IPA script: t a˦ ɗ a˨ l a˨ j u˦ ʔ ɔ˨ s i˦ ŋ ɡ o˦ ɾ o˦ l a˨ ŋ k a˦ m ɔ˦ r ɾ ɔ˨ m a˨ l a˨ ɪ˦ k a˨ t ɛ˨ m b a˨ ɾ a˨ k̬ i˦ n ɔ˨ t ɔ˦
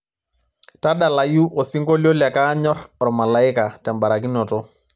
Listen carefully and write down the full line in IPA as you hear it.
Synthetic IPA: t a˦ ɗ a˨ l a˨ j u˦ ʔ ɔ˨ s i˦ ŋ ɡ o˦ l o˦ l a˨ k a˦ ɲ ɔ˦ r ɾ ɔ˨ m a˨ l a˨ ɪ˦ k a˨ t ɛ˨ m b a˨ ɾ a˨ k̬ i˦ n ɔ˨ t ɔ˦